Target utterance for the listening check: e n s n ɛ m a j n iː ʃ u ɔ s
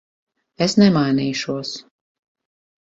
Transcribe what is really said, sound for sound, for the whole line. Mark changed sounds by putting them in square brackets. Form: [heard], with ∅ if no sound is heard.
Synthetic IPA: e [∅] s n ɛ m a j n iː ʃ u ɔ s